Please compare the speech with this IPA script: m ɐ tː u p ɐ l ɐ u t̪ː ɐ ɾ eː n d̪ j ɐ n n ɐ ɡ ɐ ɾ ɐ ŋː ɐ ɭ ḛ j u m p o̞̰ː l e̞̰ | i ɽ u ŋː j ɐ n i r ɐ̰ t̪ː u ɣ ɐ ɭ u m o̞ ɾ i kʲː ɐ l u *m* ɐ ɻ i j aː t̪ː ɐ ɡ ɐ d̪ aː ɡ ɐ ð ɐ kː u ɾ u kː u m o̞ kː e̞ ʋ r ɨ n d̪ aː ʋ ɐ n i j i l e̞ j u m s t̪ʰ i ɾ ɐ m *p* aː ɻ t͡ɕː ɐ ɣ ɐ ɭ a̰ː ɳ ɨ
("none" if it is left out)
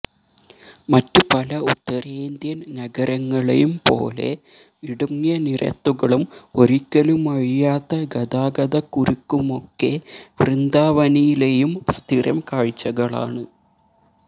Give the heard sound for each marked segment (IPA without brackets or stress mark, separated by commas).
m, k